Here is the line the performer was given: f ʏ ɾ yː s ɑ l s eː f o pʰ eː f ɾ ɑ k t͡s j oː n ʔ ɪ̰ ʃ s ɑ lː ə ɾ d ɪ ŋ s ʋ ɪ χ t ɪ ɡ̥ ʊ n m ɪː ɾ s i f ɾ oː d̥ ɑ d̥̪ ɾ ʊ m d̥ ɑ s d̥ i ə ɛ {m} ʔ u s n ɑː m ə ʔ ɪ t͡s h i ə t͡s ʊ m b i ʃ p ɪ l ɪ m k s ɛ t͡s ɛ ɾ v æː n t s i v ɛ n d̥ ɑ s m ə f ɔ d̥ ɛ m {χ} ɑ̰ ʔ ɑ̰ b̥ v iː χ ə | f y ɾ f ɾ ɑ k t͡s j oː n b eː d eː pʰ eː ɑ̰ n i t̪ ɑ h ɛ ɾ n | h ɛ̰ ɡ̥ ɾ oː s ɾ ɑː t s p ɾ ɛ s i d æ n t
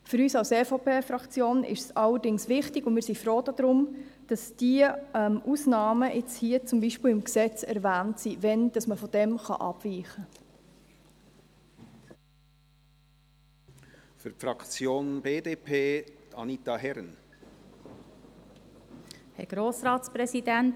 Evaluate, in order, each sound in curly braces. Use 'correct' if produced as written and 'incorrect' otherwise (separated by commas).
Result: correct, correct